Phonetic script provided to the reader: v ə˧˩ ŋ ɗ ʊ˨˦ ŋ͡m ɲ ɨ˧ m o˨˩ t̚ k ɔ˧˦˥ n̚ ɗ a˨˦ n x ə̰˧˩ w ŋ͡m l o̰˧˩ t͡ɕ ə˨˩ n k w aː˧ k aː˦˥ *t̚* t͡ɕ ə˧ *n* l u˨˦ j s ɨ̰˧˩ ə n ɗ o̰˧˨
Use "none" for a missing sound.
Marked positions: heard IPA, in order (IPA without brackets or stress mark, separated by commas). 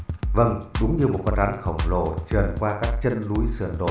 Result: k̚, n